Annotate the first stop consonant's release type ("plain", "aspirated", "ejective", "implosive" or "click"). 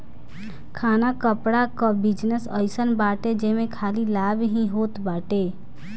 aspirated